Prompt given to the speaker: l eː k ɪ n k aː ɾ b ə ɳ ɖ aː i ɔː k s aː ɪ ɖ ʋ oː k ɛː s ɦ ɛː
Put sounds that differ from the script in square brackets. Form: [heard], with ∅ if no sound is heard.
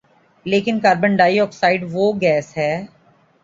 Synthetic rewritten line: l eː k ɪ n k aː ɾ b ə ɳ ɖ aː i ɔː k s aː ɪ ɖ ʋ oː [ɡ] ɛː s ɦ ɛː